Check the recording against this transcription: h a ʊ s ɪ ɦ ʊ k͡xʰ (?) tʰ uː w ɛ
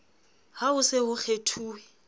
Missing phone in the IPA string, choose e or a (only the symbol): e